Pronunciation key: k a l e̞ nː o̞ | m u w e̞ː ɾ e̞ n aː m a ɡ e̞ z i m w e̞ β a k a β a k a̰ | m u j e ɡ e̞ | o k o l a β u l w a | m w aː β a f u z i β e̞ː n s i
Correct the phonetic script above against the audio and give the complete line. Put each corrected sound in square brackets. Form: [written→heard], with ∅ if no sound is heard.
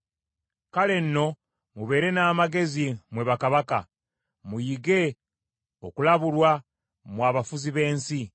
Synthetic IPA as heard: k a l e̞ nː o̞ | m u [w→β] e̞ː ɾ e̞ n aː m a ɡ e̞ z i m w e̞ β a k a β a k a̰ | m u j [e→i] ɡ e̞ | o k [o→u] l a β u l w a | m w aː β a f u z i β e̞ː n s i